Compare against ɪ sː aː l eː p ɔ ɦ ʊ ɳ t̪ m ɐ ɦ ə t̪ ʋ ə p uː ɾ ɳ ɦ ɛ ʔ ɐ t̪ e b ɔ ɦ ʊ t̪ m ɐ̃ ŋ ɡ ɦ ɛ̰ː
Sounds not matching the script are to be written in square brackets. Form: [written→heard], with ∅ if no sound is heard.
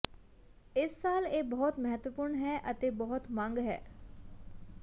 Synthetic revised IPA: ɪ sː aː l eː [p→b] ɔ ɦ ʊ [ɳ→∅] t̪ m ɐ ɦ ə t̪ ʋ ə p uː ɾ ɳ ɦ ɛ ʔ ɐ t̪ e b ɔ ɦ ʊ t̪ m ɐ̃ ŋ ɡ ɦ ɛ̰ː